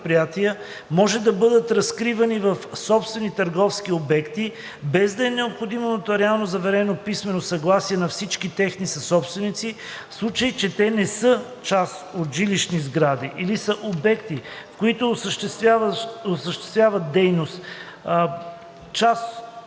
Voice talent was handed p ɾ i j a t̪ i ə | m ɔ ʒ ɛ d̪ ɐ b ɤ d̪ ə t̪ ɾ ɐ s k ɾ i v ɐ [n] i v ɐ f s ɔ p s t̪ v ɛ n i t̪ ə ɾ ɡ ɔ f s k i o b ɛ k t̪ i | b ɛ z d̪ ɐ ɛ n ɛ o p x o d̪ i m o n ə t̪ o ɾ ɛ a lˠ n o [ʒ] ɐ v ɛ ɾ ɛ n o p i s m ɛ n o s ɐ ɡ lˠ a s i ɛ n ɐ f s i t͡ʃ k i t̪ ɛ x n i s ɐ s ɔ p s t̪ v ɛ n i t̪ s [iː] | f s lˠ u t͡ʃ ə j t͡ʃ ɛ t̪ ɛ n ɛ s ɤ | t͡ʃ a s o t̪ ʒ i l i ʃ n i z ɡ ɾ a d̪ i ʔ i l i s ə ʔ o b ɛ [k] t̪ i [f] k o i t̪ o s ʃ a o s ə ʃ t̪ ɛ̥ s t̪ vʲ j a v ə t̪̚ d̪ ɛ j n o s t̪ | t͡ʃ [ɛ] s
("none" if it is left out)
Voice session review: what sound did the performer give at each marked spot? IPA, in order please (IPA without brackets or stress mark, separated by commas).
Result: n, z, i, k, f, a